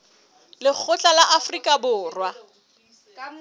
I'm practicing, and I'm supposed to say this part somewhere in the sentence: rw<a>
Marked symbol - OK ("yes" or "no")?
yes